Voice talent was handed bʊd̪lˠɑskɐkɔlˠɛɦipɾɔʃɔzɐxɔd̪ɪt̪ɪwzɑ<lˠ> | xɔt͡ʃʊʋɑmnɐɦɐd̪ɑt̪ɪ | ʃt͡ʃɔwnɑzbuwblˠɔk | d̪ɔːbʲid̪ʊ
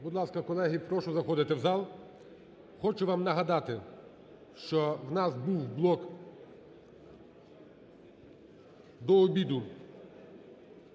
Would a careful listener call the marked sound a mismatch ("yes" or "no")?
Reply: no